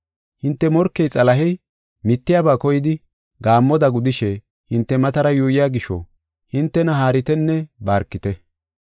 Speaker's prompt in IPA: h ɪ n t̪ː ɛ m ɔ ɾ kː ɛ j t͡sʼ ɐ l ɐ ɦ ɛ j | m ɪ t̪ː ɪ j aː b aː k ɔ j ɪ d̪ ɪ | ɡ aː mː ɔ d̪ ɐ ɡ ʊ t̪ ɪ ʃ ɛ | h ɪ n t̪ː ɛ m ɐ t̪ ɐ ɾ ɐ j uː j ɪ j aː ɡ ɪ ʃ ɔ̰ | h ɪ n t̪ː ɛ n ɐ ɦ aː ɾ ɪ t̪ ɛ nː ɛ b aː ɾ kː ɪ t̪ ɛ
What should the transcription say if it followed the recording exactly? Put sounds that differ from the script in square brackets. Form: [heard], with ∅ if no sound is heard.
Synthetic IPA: h ɪ n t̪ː ɛ m ɔ ɾ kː ɛ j t͡sʼ ɐ l ɐ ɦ ɛ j | m ɪ t̪ː ɪ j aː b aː k ɔ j ɪ d̪ ɪ | ɡ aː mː ɔ d̪ ɐ ɡ ʊ [d̪] ɪ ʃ ɛ | h ɪ n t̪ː ɛ m ɐ t̪ ɐ ɾ ɐ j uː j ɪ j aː ɡ ɪ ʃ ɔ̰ | h ɪ n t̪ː ɛ n ɐ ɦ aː ɾ ɪ t̪ ɛ nː ɛ b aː ɾ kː ɪ t̪ ɛ

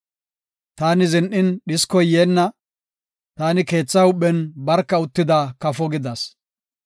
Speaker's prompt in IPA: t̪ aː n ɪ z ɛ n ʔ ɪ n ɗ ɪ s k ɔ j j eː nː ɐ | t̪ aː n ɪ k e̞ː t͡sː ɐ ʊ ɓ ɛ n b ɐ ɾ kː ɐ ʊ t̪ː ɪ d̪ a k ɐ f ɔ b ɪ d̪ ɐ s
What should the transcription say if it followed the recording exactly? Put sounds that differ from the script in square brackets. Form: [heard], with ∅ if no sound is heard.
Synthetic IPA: t̪ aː n ɪ z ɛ n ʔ ɪ n ɗ ɪ s k ɔ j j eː nː ɐ | t̪ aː n ɪ k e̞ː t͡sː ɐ ʊ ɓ ɛ n b ɐ ɾ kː ɐ ʊ t̪ː ɪ d̪ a k ɐ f ɔ [ɡ] ɪ d̪ ɐ s

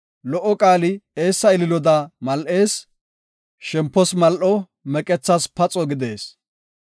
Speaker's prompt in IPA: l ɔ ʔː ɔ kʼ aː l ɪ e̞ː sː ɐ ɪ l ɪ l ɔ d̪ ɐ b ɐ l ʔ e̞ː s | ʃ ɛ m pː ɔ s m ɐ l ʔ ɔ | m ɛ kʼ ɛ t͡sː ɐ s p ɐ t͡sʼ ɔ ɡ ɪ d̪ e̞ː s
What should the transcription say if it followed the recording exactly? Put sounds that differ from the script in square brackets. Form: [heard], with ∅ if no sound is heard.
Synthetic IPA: l ɔ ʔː ɔ kʼ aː l ɪ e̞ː sː ɐ ɪ l ɪ l ɔ d̪ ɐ [m] ɐ l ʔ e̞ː s | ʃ ɛ m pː ɔ s m ɐ l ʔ ɔ | m ɛ kʼ ɛ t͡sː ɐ s p ɐ t͡sʼ ɔ ɡ ɪ d̪ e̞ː s

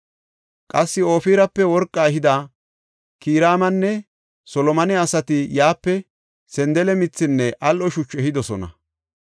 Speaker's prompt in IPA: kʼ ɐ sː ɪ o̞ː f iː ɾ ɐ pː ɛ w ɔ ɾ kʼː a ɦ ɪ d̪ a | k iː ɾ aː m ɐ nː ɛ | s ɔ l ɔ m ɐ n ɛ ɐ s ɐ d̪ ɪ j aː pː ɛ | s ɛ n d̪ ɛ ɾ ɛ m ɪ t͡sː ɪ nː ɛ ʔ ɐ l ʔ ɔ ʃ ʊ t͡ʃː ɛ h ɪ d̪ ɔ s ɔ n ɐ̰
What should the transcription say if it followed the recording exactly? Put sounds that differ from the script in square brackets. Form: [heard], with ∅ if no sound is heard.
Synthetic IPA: kʼ ɐ sː ɪ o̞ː f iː ɾ ɐ pː ɛ w ɔ ɾ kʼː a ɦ ɪ d̪ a | k iː ɾ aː m ɐ nː ɛ | s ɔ l ɔ m ɐ n ɛ ɐ s ɐ [t̪] ɪ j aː pː ɛ | s ɛ n d̪ ɛ [l] ɛ m ɪ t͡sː ɪ nː ɛ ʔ ɐ l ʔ ɔ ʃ ʊ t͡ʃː ɛ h ɪ d̪ ɔ s ɔ n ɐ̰

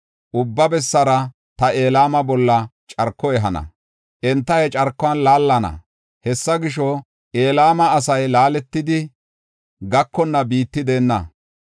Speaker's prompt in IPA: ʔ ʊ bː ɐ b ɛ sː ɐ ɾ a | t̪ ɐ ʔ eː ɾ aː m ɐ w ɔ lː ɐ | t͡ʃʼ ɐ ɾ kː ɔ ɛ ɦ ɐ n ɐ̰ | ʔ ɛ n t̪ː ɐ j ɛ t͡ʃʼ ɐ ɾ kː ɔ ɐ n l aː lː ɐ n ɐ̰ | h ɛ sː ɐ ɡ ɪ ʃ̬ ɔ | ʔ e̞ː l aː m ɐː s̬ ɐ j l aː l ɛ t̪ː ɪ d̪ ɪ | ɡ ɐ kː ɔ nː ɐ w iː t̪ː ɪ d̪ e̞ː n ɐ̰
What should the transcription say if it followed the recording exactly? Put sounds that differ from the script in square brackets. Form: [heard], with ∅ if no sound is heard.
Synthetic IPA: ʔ ʊ bː ɐ b ɛ sː ɐ ɾ [ɐ] | t̪ ɐ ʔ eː [l] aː m ɐ [b] ɔ lː ɐ | t͡ʃʼ ɐ ɾ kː ɔ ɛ ɦ ɐ n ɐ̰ | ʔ ɛ n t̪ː ɐ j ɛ t͡ʃʼ ɐ ɾ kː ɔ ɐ n l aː lː ɐ n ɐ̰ | h ɛ sː ɐ ɡ ɪ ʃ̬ ɔ | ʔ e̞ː l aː m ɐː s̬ ɐ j l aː l ɛ t̪ː ɪ d̪ ɪ | ɡ ɐ kː ɔ nː ɐ [b] iː t̪ː ɪ d̪ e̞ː [nː] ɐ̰

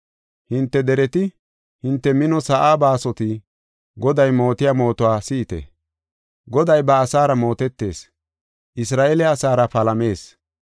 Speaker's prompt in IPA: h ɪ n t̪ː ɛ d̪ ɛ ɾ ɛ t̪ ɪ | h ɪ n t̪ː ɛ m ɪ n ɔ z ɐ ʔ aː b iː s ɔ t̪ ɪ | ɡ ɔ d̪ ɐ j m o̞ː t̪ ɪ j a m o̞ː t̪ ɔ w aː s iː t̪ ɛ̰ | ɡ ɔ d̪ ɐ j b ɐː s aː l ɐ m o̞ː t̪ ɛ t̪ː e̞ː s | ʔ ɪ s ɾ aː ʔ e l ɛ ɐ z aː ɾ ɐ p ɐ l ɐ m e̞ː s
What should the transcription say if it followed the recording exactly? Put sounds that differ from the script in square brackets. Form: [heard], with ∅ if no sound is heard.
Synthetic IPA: h ɪ n t̪ː ɛ d̪ ɛ ɾ ɛ t̪ ɪ | h ɪ n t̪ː ɛ m ɪ n ɔ [s] ɐ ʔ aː b [aː] s ɔ t̪ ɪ | ɡ ɔ d̪ ɐ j m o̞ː t̪ ɪ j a m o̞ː t̪ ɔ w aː s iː t̪ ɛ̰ | ɡ ɔ d̪ ɐ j b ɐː s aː [ɾ] ɐ m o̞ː t̪ ɛ t̪ː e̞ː s | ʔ ɪ s ɾ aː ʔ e l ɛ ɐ [s] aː ɾ ɐ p ɐ l ɐ m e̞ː s

